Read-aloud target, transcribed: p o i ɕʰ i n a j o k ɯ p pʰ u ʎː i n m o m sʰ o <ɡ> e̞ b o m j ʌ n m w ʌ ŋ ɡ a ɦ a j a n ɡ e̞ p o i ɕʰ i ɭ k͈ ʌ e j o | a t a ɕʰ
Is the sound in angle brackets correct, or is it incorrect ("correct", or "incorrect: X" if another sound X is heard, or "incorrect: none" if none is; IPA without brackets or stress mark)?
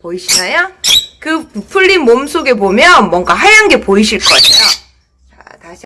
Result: correct